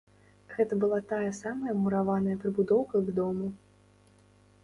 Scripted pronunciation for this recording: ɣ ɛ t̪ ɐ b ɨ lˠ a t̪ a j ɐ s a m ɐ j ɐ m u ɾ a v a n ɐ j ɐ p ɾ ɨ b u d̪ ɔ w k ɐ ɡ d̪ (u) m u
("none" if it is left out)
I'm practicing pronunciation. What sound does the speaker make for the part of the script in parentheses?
ɔ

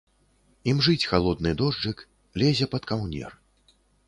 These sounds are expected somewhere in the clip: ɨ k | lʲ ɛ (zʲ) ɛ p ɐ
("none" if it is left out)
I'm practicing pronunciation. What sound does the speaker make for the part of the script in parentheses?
zʲ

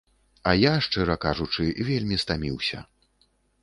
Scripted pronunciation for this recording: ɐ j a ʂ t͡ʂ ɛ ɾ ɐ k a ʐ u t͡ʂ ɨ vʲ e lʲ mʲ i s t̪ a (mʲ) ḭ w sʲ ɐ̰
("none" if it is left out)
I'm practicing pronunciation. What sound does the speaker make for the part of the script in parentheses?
mʲ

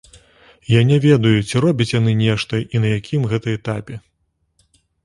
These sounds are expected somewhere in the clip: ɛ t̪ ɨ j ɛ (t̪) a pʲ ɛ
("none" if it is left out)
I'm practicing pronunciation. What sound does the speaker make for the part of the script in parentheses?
t̪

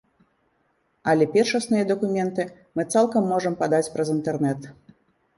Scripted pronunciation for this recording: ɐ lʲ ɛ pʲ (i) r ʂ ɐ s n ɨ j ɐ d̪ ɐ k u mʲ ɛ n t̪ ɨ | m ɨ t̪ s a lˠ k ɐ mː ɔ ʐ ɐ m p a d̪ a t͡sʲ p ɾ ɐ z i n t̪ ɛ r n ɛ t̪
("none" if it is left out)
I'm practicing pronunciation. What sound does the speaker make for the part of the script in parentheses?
ɛ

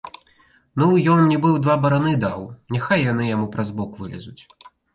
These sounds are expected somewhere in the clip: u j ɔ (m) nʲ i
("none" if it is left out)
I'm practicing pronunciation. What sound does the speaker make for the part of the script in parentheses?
n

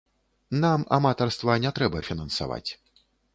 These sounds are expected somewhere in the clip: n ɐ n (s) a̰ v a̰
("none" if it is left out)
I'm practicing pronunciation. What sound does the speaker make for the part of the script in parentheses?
s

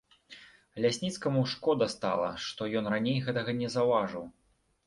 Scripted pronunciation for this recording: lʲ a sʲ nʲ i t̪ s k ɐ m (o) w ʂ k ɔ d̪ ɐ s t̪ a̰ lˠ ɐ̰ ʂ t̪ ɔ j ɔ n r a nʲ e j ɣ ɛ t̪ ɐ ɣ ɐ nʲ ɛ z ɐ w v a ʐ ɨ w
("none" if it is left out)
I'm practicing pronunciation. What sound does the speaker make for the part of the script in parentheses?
u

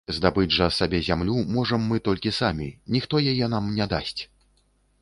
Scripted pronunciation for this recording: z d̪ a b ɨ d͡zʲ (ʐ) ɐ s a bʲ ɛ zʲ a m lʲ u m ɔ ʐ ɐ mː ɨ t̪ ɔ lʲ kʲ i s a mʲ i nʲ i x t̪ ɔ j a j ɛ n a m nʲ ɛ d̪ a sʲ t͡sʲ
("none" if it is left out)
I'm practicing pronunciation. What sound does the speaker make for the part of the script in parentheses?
ʐ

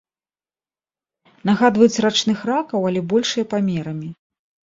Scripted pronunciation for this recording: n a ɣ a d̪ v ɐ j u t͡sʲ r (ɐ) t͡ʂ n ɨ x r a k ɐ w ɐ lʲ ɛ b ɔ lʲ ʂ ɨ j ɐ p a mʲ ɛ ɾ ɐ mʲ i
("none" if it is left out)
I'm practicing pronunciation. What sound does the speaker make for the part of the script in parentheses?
a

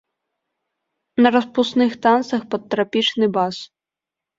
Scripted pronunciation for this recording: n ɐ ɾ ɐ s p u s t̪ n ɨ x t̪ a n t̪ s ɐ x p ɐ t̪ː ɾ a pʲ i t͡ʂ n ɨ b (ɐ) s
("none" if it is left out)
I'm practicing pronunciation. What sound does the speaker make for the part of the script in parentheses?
a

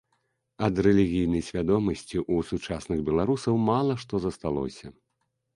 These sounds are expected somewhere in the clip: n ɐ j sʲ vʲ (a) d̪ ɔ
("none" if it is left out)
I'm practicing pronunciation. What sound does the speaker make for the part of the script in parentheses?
a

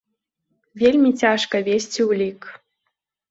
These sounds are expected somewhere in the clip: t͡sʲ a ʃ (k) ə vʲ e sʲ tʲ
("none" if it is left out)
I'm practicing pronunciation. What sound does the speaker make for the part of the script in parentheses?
k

